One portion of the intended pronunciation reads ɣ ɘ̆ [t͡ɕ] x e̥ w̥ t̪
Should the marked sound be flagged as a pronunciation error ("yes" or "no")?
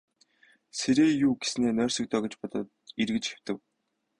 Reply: no